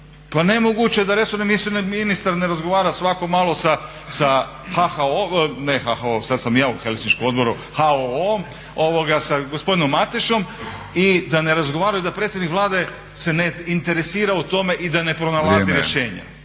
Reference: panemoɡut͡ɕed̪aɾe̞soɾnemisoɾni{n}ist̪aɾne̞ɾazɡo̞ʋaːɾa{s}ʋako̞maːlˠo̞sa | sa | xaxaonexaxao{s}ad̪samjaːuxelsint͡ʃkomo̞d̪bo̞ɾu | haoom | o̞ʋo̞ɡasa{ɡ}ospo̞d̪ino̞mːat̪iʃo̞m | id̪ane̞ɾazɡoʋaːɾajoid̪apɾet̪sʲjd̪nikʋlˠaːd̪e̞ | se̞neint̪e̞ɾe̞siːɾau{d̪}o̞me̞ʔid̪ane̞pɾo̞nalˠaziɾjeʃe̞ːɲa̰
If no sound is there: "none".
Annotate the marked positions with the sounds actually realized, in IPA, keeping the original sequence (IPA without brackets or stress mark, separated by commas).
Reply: n, s, s, ɡ, t̪